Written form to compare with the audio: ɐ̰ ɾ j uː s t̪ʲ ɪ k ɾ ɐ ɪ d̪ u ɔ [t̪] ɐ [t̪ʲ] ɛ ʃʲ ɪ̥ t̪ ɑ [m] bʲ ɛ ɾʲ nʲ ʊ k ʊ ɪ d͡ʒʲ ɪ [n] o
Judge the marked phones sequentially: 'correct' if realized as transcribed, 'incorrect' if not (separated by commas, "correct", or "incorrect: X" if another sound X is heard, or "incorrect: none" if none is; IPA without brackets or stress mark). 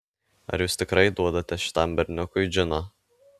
incorrect: d̪, correct, correct, correct